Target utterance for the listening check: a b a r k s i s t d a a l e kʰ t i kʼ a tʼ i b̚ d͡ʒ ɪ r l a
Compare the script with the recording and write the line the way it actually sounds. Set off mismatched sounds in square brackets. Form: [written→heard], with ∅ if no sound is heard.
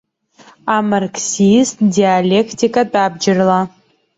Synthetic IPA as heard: a [b→m] a r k s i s t d [a→i] a l e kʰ t i kʼ a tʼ [i→a] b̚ d͡ʒ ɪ r l a